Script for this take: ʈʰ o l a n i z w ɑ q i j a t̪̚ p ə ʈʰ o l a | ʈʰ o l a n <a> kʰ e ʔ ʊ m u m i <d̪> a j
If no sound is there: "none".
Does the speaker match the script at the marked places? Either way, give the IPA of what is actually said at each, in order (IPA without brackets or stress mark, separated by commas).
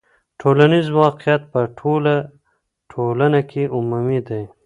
a, d̪